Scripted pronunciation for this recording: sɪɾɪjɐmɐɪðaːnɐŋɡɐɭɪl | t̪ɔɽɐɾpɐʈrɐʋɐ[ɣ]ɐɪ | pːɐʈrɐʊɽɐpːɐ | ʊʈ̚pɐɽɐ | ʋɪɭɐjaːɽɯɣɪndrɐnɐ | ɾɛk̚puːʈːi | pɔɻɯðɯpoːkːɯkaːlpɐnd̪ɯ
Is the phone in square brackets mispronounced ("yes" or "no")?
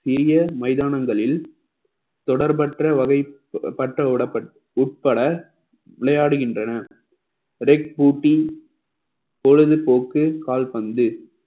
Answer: no